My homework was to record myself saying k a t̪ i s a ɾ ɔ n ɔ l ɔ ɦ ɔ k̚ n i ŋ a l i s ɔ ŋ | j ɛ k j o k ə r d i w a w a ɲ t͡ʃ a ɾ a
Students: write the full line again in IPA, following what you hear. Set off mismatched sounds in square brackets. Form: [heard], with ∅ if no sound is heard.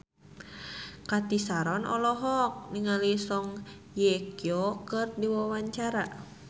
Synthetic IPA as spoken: k a t̪ i s a ɾ ɔ n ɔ l ɔ ɦ ɔ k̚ n i ŋ a l i s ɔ ŋ | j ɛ k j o k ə r d i w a w a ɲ t͡ʃ a ɾ a

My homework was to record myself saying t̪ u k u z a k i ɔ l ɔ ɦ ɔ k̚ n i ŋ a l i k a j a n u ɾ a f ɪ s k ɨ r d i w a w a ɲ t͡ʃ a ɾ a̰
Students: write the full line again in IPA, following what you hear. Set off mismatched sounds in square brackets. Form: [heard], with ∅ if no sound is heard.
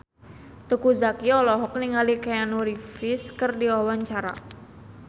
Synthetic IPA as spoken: t̪ u k u z a k i ɔ l ɔ ɦ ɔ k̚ n i ŋ a l i k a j a n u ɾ [i] f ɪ s k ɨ r d i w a w a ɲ t͡ʃ a ɾ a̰

